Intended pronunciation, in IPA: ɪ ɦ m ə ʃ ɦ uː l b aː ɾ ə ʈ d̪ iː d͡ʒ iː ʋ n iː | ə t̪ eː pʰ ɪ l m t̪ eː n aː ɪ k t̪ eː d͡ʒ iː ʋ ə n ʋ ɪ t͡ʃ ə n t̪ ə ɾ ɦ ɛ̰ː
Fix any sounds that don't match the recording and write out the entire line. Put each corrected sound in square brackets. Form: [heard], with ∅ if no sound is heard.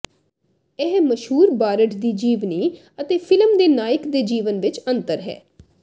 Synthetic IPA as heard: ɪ ɦ m ə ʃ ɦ uː [ɾ] b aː ɾ ə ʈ d̪ iː d͡ʒ iː ʋ n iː | ə t̪ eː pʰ ɪ l m [d̪] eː n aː ɪ k [d̪] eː d͡ʒ iː ʋ ə n ʋ ɪ t͡ʃ ə n t̪ ə ɾ ɦ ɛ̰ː